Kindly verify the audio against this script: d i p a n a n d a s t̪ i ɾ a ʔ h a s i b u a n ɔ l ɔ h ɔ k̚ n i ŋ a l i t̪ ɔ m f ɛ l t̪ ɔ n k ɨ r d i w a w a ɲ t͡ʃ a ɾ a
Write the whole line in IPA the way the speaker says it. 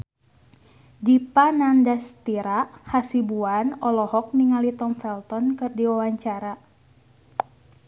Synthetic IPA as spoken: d i p a n a n d a s t̪ i ɾ a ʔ h a s i b u a n ɔ l ɔ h ɔ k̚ n i ŋ a l i t̪ ɔ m f ɛ l t̪ ɔ n k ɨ r d i w a w a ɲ t͡ʃ a ɾ a